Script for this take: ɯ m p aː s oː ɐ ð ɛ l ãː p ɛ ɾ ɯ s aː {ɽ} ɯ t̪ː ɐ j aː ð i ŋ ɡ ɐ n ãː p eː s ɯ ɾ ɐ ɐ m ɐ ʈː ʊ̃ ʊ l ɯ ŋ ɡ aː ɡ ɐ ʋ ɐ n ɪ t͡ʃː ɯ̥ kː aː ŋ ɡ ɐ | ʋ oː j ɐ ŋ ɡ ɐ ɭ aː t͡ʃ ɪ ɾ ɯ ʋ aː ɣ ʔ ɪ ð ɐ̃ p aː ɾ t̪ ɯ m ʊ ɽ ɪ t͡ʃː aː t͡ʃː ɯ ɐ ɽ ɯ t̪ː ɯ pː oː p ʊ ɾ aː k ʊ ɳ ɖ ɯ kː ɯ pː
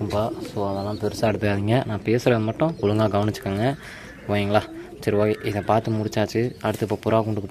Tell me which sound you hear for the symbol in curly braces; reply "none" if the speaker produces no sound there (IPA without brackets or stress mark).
ɽ